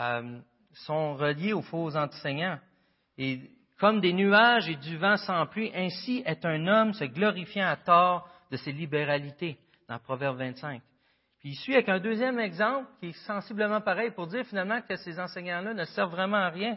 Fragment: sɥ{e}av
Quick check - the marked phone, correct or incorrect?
incorrect